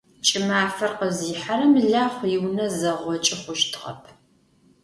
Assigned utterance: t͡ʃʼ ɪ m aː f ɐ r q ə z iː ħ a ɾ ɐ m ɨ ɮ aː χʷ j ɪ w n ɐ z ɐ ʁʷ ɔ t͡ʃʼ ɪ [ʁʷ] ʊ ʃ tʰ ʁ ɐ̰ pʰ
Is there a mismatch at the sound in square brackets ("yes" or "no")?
yes